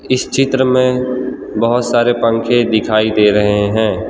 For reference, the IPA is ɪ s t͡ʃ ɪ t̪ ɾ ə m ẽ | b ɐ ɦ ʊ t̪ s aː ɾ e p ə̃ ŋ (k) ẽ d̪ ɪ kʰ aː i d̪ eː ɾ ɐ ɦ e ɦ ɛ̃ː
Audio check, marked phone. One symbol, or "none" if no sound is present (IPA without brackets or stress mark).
kʰ